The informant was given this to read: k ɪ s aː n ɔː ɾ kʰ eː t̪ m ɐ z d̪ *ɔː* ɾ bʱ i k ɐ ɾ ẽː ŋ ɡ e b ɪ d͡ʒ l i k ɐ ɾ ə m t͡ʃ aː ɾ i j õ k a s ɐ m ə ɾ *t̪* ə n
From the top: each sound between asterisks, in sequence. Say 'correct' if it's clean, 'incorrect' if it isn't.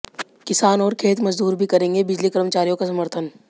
incorrect: uː, incorrect: t̪ʰ

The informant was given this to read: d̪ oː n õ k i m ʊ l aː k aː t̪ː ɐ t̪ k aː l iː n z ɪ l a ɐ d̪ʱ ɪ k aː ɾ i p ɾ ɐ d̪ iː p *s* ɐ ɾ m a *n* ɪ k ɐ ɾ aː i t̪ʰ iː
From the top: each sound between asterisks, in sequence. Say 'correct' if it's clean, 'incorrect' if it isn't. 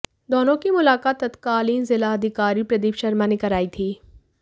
incorrect: ʃ, correct

